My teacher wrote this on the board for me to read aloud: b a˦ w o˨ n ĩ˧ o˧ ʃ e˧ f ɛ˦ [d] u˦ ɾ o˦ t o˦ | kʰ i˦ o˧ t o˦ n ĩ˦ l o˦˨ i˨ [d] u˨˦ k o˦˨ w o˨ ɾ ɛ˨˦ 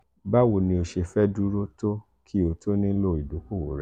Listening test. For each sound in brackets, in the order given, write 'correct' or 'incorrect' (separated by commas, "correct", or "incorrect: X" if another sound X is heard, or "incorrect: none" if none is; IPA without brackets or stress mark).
correct, correct